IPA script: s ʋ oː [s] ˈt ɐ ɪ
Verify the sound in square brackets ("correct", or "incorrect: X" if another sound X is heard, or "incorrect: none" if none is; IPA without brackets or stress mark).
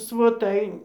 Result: incorrect: none